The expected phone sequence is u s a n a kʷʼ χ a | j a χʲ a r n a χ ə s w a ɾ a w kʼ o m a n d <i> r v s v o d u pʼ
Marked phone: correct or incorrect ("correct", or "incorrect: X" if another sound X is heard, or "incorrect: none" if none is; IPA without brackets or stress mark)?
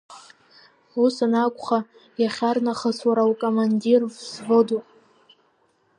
correct